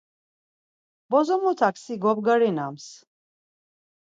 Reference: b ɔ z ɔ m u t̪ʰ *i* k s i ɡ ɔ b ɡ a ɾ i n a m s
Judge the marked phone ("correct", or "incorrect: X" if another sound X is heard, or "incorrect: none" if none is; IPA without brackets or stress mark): incorrect: a